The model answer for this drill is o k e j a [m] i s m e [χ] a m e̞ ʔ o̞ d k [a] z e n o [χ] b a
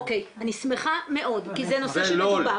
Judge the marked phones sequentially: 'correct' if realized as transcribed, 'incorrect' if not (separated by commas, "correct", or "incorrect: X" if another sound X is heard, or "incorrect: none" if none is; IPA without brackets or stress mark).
incorrect: n, correct, incorrect: i, incorrect: s